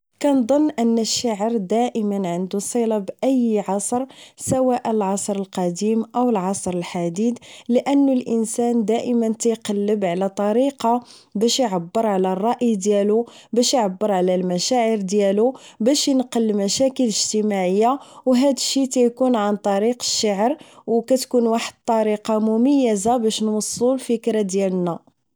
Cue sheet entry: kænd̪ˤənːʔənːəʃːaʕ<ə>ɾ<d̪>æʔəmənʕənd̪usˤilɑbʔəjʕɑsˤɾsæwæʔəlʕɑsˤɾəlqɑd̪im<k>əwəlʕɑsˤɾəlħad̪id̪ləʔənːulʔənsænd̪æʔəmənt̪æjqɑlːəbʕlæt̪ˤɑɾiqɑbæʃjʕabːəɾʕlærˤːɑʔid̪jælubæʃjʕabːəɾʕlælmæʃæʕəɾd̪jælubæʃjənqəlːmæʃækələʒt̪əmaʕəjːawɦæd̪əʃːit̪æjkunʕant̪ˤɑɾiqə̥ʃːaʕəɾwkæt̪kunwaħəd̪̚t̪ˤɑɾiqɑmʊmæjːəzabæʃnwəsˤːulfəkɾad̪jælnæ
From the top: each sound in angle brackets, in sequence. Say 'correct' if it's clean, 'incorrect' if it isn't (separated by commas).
correct, correct, incorrect